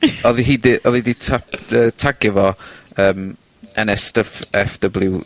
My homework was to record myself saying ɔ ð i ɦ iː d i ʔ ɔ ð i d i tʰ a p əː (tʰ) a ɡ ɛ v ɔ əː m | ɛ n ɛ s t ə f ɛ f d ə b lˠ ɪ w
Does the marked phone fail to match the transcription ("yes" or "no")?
no